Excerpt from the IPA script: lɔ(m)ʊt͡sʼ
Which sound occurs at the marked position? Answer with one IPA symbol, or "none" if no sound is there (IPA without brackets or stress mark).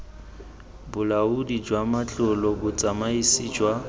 b